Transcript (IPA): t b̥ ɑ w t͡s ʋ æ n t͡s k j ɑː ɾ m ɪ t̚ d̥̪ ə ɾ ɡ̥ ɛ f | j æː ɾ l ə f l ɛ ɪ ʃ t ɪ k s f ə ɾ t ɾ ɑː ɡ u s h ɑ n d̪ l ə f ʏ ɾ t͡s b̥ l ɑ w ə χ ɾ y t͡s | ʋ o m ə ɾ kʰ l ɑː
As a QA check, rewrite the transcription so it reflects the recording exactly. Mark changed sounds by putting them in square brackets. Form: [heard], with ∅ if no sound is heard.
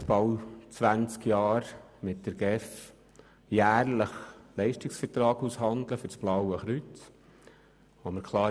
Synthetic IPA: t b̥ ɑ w t͡s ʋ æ n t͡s k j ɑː ɾ m ɪ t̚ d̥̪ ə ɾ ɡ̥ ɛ f | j æː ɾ l ə [χ] l ɛ ɪ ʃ t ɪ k s f ə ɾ t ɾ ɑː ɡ u s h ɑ n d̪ l ə f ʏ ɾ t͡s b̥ l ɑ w ə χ ɾ y t͡s | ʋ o m ə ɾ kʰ l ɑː

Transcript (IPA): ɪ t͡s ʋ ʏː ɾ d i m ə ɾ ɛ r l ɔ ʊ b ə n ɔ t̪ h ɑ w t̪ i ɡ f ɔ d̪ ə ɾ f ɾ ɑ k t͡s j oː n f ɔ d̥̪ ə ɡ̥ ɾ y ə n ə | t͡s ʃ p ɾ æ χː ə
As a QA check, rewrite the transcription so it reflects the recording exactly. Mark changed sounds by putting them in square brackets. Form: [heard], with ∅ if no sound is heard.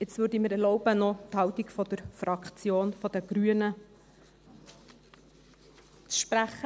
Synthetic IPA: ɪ t͡s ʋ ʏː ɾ d i m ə ɾ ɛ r l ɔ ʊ b ə n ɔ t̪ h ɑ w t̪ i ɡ f ɔ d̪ ə ɾ f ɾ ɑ k t͡s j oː n f ɔ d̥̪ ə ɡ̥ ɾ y ə n ə | t͡s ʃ p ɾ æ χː ə

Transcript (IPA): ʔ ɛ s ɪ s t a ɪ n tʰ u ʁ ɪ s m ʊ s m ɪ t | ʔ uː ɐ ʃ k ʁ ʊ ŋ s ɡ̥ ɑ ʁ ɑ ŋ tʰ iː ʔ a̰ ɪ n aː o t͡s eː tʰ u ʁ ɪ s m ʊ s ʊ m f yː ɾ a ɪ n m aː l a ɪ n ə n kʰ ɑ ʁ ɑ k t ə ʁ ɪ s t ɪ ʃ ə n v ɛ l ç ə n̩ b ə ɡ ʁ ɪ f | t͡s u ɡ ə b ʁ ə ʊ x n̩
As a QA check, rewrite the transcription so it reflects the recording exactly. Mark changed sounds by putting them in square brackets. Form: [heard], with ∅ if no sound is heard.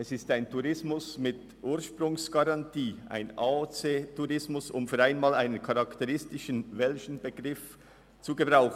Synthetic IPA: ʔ ɛ s ɪ s t a ɪ n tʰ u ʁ ɪ s m ʊ s m ɪ t | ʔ uː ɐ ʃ [p] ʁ ʊ ŋ s ɡ̥ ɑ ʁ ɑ [n] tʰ iː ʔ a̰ ɪ n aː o t͡s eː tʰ u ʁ ɪ s m ʊ s ʊ m f yː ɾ a ɪ n m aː l a ɪ n ə n kʰ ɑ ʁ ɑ k t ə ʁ ɪ s t ɪ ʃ ə n v ɛ l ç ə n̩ b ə ɡ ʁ ɪ f | t͡s u ɡ ə b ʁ [a] ʊ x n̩

